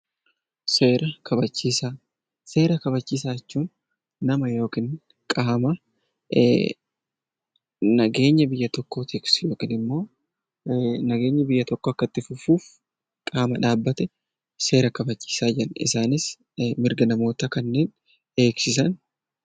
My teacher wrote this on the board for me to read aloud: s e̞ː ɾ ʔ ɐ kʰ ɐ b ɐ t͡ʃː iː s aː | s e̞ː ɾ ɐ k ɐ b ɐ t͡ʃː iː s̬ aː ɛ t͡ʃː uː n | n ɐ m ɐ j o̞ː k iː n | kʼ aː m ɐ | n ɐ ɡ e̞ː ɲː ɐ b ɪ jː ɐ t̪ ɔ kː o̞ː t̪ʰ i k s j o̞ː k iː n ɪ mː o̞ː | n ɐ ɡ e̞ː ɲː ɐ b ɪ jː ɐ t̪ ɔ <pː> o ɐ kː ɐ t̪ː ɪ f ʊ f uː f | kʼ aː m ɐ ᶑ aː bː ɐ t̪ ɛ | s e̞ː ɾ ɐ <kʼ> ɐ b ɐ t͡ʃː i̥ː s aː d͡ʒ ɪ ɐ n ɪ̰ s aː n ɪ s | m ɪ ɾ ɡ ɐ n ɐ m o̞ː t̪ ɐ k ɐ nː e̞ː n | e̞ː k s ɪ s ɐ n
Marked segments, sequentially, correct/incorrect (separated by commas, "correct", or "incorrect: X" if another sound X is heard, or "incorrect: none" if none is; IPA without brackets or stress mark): incorrect: kː, incorrect: k